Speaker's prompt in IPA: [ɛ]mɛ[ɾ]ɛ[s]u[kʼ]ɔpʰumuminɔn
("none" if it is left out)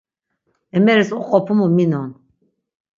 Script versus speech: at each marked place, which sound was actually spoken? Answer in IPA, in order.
ɛ, ɾ, s, qʼ

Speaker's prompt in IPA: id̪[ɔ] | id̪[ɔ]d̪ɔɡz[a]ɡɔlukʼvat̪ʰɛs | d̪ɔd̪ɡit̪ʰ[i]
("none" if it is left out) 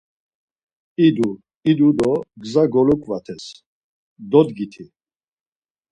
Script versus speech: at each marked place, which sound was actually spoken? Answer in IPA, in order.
u, u, a, i

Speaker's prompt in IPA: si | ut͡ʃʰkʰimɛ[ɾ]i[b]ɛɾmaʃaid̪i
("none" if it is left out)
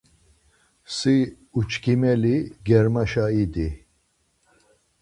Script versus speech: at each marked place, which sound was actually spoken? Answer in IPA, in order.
l, ɡ

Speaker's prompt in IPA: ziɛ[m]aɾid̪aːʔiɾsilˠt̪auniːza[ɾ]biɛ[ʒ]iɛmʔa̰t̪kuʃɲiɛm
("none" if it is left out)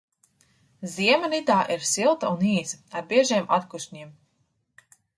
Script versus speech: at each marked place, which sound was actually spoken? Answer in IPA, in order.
m, ɾ, ʒ

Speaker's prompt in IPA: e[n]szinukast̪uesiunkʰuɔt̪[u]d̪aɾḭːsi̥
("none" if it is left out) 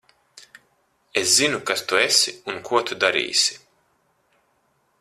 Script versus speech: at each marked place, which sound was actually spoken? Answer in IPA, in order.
none, u

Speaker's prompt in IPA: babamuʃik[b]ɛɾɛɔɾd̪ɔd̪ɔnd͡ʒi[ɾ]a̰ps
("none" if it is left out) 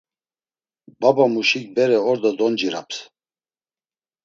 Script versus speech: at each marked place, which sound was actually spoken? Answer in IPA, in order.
b, ɾ

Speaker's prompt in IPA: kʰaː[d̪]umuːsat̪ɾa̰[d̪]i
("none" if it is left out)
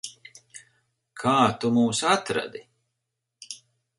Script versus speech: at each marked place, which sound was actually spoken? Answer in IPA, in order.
t̪, d̪

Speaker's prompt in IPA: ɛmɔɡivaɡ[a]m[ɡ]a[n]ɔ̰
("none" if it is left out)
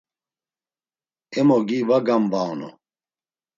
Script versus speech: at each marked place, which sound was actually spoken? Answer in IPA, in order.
a, b, n

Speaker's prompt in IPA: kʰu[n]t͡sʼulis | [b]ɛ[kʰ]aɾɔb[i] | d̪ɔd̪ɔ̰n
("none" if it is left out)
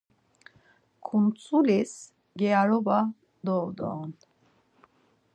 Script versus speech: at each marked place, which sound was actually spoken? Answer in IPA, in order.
n, ɡ, none, a

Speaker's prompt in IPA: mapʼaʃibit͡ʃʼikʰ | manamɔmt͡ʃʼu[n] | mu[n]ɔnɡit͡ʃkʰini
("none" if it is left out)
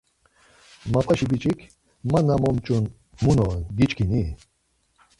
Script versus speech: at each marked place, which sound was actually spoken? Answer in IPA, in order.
n, n

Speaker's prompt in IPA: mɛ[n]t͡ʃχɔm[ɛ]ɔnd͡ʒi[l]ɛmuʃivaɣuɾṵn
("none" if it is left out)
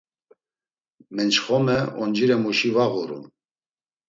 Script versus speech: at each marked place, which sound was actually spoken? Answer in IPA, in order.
n, ɛ, ɾ

